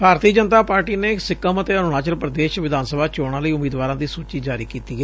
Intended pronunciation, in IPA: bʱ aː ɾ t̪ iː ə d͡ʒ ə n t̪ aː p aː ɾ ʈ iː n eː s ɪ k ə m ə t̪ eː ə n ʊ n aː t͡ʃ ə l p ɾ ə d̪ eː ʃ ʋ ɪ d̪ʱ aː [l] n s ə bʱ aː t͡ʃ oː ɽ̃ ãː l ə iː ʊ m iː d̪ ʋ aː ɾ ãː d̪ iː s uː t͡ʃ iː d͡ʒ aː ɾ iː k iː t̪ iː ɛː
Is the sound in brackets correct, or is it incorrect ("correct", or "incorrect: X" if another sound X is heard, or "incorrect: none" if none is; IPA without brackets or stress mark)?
incorrect: none